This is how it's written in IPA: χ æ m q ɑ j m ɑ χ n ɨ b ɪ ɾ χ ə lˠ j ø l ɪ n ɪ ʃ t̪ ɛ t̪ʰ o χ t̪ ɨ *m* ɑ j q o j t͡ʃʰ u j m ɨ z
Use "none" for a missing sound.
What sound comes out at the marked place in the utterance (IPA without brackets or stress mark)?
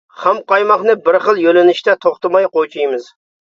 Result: m